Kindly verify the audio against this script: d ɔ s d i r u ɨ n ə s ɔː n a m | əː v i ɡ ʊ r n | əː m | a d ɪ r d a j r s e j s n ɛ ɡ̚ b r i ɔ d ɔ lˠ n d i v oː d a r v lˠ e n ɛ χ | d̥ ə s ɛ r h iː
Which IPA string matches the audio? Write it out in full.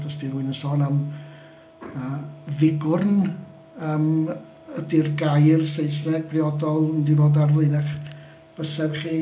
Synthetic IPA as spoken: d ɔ s d i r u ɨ n ə s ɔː n a m | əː v ɪ ɡ ʊ r n | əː m | ə d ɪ r ɡ a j r s e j s n ɛ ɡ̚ b r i ɔ d ɔ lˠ n d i v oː d a r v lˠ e n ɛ χ | b̥ ə s ɛ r χ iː

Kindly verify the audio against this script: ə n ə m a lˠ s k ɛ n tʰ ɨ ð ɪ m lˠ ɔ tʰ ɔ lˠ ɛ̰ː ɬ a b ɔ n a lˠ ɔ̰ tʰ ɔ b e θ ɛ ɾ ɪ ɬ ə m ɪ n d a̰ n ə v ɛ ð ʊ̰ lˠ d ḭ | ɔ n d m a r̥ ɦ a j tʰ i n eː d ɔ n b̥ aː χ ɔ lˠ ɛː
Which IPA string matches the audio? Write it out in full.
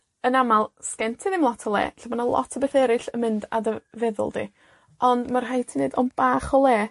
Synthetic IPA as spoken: ə n a m a lˠ s k ɛ n tʰ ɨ ð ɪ m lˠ ɔ tʰ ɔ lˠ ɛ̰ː ɬ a b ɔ n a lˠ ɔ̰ tʰ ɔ b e θ ɛ ɾ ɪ ɬ ə m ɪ n d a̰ d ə v ɛ ð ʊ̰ lˠ d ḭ | ɔ n d m a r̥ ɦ a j tʰ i n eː d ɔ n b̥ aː χ ɔ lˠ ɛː

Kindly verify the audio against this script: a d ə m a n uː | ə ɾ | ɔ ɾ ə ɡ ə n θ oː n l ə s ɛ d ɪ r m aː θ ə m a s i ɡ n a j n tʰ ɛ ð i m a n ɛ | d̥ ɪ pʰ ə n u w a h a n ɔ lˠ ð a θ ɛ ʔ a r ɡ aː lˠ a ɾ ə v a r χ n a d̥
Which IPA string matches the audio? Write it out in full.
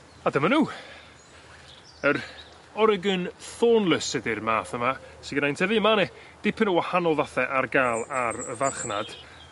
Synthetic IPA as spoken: a d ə m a n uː | ə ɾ | ɔ ɾ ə ɡ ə n θ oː n l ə s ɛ d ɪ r m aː θ ə m a s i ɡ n a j n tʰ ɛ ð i m a n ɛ | d̥ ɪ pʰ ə n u w a h a n ɔ lˠ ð a θ ɛ ʔ a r ɡ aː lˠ a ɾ ə v a r χ n a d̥

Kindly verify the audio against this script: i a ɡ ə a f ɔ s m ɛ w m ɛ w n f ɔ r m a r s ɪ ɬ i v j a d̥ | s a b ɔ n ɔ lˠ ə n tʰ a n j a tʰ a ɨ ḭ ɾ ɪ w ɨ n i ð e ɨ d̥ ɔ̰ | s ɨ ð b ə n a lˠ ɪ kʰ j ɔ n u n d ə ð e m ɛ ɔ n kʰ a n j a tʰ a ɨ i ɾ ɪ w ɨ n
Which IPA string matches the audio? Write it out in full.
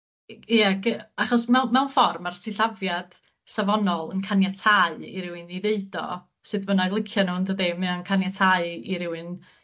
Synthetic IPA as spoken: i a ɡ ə a χ ɔ s m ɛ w m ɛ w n f ɔ r m a r s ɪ ɬ a v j a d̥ | s a v ɔ n ɔ lˠ ə n kʰ a n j a tʰ a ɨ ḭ ɾ ɪ w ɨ n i ð e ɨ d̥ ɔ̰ | s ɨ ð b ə n a lˠ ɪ kʰ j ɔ n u n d ə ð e m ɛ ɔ n kʰ a n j a tʰ a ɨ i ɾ ɪ w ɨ n

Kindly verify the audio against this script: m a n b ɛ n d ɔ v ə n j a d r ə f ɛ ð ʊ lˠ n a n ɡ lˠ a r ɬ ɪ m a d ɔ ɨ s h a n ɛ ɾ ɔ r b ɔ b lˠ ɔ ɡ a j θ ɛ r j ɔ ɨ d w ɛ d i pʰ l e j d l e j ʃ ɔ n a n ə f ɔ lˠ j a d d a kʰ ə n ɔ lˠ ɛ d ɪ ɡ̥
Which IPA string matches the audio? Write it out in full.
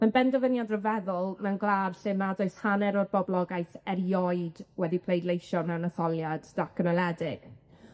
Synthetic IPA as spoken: m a n b ɛ n d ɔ v ə n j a d r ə v ɛ ð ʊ lˠ n a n ɡ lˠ a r ɬ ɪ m a d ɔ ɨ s h a n ɛ ɾ ɔ r b ɔ b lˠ ɔ ɡ a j θ ɛ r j ɔ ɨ d w ɛ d i pʰ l e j d l e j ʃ ɔ n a n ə θ ɔ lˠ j a d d a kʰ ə n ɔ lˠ ɛ d ɪ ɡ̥

